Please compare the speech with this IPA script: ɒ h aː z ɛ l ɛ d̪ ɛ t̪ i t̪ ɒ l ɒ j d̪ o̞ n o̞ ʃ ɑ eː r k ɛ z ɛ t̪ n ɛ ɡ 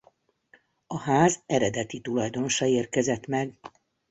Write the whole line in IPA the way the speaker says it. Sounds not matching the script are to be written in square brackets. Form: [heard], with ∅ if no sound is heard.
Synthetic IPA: ɒ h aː z ɛ [ɾ] ɛ d̪ ɛ t̪ i t̪ [u] l ɒ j d̪ o̞ n o̞ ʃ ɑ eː r k ɛ z ɛ t̪ [m] ɛ ɡ